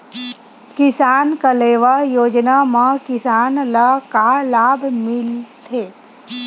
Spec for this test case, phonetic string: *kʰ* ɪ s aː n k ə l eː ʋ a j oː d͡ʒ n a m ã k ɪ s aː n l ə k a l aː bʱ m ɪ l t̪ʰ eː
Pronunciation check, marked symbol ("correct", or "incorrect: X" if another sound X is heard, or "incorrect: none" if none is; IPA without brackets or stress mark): incorrect: k